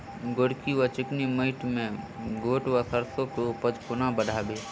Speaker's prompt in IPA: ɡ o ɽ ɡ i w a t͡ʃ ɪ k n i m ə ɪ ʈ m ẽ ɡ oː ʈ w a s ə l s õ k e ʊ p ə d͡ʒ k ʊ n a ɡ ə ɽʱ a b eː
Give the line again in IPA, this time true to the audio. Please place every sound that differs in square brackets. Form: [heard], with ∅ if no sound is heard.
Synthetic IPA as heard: ɡ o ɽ [k] i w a t͡ʃ ɪ k n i m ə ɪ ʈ m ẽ ɡ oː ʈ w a s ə [ɾ] s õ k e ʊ p ə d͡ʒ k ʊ n a [b] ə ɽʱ a b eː